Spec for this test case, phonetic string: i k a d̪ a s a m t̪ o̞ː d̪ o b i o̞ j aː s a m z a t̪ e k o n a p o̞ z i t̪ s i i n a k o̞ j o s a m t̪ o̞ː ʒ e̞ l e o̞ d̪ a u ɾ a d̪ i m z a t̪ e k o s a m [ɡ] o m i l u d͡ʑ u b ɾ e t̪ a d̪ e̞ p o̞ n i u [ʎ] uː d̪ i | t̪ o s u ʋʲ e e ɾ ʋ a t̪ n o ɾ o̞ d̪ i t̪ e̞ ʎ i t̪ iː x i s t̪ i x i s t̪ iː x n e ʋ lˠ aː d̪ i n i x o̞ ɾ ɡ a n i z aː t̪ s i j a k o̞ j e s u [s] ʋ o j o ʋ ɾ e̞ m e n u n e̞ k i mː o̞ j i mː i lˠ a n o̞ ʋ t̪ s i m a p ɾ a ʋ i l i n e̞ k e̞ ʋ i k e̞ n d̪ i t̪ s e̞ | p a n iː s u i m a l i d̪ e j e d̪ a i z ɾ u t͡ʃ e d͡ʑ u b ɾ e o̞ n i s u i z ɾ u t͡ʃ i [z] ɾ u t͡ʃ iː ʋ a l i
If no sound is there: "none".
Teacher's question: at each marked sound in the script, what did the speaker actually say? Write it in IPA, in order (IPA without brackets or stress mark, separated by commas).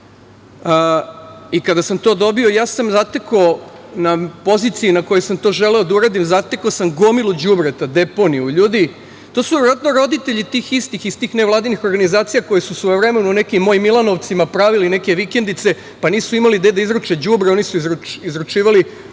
ɡ, ʎ, s, z